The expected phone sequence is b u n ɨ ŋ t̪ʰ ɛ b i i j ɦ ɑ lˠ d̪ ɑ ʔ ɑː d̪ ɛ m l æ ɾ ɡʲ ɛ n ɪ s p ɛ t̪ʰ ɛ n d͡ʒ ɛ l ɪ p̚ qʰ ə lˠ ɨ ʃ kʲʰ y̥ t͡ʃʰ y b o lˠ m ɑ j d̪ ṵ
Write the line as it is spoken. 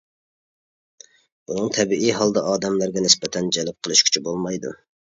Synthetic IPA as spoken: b u n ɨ ŋ t̪ʰ ɛ b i i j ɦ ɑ lˠ d̪ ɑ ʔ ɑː d̪ ɛ m l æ ɾ ɡʲ ɛ n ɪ s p ɛ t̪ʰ ɛ n d͡ʒ ɛ l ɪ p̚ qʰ ə lˠ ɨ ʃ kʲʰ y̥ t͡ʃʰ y b o lˠ m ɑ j d̪ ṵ